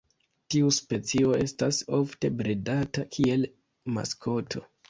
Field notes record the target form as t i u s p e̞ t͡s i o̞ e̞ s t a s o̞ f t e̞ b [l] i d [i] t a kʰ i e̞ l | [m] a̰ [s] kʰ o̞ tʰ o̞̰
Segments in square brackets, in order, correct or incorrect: incorrect: ɾ, incorrect: a, correct, correct

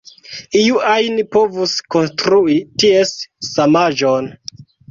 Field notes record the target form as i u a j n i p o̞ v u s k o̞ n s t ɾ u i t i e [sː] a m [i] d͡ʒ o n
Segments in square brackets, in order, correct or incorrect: correct, incorrect: a

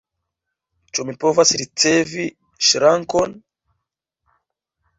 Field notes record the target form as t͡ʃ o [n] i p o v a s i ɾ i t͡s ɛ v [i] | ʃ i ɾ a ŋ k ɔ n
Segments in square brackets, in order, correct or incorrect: incorrect: m, correct

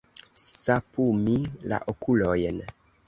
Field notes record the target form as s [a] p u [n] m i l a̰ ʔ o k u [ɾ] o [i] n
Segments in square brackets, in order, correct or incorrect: correct, incorrect: none, incorrect: l, incorrect: j

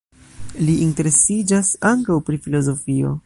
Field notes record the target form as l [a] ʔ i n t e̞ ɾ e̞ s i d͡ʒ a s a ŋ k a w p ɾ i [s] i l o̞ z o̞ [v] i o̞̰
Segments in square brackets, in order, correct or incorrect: incorrect: i, incorrect: f, incorrect: f

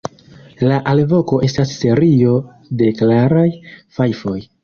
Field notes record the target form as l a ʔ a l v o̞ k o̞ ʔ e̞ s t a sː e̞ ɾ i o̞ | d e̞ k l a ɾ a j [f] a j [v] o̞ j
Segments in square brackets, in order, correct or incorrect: correct, incorrect: f

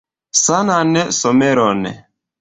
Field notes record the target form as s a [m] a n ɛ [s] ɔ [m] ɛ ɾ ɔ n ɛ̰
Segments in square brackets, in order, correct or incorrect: incorrect: n, correct, correct

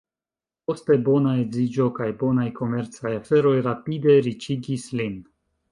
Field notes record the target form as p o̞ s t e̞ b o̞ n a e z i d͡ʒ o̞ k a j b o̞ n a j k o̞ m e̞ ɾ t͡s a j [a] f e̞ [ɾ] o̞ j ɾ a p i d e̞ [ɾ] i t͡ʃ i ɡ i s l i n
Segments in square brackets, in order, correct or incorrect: correct, correct, correct

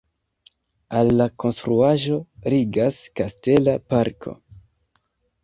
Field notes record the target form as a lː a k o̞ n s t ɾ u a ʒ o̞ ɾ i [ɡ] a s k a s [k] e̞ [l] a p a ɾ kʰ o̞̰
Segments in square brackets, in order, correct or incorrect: correct, incorrect: t, correct

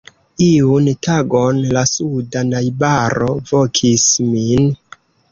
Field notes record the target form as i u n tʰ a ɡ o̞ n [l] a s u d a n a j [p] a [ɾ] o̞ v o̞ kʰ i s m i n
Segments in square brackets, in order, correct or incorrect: correct, incorrect: b, correct

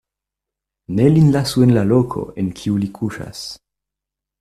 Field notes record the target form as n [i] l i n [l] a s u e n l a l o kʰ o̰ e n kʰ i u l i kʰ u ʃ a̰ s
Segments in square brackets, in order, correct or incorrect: incorrect: e, correct

